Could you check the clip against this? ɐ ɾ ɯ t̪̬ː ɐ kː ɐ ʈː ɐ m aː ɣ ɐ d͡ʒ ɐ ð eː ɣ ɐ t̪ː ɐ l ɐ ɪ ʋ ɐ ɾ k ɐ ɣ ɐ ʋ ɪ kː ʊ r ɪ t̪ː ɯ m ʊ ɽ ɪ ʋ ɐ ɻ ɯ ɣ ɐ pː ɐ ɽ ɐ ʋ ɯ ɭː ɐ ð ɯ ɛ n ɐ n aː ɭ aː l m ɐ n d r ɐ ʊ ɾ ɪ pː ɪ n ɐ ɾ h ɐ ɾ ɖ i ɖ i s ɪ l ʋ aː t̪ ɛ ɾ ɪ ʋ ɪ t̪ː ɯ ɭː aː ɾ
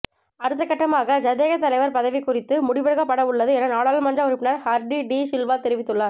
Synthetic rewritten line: ɐ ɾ ɯ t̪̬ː ɐ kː ɐ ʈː ɐ m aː ɣ ɐ d͡ʒ ɐ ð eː ɣ ɐ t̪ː ɐ l ɐ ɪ ʋ ɐ ɾ p ɐ ð ɐ ʋ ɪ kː ʊ r ɪ t̪ː ɯ m ʊ ɽ ɪ ʋ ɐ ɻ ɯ ɣ ɐ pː ɐ ɽ ɐ ʋ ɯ ɭː ɐ ð ɯ ɛ n ɐ n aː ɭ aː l m ɐ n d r ɐ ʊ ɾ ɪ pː ɪ n ɐ ɾ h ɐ ɾ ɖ i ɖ i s ɪ l ʋ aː t̪ ɛ ɾ ɪ ʋ ɪ t̪ː ɯ ɭː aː ɾ